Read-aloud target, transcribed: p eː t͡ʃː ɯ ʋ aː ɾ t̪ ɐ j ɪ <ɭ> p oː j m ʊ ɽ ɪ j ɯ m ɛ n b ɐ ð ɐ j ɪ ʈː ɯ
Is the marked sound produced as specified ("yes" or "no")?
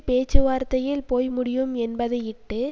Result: no